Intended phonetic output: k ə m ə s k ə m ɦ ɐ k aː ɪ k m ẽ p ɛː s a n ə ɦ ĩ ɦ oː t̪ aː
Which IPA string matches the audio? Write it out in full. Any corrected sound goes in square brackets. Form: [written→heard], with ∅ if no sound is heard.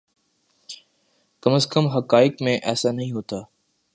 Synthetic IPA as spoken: k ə m ə s k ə m ɦ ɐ k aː ɪ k m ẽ [p→ʔ] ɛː s a n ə ɦ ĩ ɦ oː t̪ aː